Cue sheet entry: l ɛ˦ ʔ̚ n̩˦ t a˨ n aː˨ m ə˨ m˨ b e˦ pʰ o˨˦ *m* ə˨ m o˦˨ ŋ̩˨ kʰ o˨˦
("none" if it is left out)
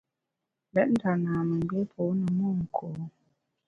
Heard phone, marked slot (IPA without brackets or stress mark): n